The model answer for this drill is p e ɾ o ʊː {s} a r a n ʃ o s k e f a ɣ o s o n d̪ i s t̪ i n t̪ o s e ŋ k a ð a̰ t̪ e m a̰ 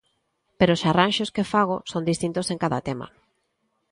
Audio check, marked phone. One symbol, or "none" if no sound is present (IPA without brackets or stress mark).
s